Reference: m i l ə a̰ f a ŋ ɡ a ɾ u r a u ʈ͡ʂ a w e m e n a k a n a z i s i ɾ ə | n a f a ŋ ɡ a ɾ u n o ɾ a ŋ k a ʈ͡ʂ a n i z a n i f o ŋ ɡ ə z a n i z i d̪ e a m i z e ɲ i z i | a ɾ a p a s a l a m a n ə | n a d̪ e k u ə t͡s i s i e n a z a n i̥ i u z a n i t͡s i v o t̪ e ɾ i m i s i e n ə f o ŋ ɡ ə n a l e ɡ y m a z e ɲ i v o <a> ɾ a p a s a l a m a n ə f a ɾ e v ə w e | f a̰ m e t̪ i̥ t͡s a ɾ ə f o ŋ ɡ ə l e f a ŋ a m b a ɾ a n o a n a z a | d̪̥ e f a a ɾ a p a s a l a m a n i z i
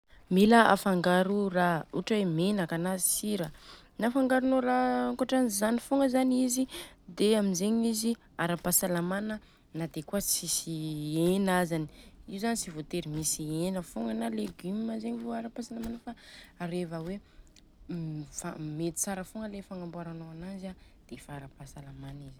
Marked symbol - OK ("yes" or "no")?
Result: yes